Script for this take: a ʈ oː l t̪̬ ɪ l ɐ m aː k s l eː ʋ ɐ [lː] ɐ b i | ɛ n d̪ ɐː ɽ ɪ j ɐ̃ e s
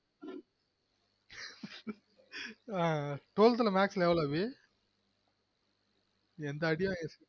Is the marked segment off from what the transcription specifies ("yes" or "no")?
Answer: yes